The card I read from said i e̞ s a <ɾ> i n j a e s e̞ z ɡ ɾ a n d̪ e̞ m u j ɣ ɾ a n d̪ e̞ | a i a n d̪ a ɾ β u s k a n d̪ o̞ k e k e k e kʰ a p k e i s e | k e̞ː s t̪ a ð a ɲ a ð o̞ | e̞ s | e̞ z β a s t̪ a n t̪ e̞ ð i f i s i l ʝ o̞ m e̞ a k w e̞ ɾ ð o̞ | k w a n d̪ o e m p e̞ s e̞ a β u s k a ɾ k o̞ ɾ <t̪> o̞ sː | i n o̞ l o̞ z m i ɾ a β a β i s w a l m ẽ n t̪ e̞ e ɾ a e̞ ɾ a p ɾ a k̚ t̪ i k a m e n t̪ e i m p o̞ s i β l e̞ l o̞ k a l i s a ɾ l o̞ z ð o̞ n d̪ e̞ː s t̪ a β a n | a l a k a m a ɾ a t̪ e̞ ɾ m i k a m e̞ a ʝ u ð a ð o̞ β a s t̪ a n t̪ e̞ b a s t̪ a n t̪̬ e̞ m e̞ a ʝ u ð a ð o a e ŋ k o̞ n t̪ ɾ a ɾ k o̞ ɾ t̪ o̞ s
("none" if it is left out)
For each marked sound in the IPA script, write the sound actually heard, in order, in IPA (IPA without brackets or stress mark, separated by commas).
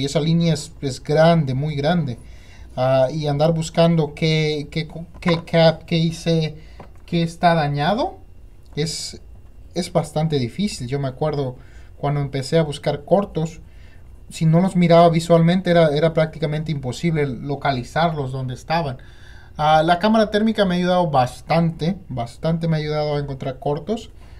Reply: l, t̪